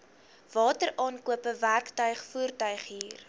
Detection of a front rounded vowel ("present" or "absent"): present